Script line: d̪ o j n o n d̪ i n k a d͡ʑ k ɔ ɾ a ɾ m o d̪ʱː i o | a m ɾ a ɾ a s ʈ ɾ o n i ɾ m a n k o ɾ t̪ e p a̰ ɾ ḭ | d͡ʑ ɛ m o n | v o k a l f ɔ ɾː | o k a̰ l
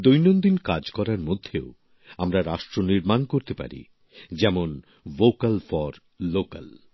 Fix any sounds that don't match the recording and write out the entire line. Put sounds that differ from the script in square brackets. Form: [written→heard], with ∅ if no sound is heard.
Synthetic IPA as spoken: d̪ o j n o n d̪ i n k a d͡ʑ k ɔ ɾ a ɾ m o d̪ʱː [i→e] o | a m ɾ a ɾ a [s→ʃ] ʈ ɾ o n i ɾ m a n k o ɾ t̪ e p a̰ ɾ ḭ | d͡ʑ ɛ m o n | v o k a l f ɔ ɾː | o k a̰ l